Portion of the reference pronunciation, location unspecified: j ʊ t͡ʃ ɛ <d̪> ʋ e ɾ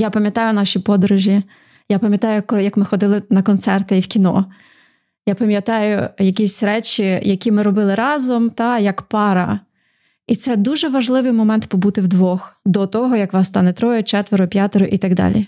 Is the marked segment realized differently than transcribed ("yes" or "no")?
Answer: yes